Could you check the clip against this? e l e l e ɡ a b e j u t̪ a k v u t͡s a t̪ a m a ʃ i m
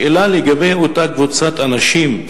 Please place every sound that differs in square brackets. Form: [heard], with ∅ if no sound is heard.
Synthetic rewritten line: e l [a] l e ɡ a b e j [o] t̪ a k v u t͡s a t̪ a [n] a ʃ i m